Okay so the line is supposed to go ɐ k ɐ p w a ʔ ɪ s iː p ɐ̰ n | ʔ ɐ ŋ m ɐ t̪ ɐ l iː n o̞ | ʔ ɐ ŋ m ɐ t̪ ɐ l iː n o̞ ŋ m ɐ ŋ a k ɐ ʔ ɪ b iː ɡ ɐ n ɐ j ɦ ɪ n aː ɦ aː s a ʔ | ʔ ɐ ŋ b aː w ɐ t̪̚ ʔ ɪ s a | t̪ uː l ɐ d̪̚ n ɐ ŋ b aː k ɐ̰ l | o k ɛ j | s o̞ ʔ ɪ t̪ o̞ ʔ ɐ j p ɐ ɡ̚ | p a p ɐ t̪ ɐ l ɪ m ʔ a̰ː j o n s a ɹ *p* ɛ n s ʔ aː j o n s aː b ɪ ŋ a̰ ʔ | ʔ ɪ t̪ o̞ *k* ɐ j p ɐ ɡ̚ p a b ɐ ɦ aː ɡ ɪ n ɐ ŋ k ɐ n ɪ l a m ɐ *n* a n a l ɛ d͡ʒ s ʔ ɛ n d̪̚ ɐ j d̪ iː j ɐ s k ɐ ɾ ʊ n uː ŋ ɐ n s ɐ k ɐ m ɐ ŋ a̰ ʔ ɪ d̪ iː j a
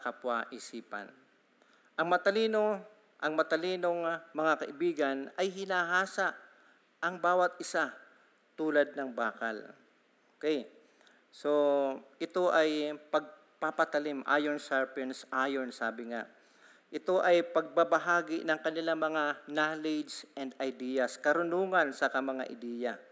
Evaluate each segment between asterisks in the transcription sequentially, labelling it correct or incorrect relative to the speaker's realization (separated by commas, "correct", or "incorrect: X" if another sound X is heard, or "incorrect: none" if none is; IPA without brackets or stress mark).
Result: correct, incorrect: ʔ, incorrect: ŋ